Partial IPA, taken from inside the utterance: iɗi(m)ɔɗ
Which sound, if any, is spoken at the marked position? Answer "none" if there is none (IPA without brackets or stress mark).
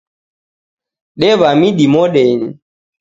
m